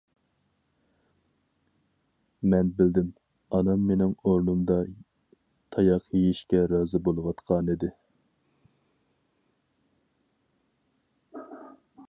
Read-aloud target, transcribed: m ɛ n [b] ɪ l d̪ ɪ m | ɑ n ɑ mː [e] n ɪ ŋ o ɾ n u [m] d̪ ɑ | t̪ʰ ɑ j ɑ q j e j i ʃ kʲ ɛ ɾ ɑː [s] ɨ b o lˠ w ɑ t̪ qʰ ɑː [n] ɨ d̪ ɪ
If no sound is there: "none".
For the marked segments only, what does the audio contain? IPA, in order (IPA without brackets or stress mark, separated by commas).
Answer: b, e, m, z, n